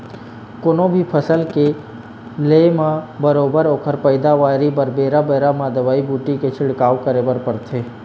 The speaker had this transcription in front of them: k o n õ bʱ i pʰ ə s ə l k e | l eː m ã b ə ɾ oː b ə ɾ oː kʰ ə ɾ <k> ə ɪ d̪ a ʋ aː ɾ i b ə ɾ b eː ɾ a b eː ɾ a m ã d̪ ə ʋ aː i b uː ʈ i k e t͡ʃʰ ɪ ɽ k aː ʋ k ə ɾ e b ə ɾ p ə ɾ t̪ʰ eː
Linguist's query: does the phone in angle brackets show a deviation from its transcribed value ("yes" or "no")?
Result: yes